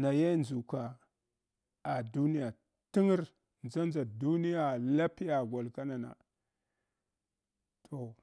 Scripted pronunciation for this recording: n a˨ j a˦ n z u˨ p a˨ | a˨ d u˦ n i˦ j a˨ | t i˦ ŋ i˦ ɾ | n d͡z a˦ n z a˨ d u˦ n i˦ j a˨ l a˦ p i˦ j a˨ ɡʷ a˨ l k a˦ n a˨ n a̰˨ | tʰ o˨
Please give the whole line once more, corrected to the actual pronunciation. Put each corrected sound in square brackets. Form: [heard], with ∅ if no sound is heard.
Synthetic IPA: n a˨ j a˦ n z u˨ [k] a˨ | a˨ d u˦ n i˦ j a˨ | t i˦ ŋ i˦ ɾ | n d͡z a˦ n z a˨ d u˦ n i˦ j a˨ l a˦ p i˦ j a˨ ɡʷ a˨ l k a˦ n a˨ n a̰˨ | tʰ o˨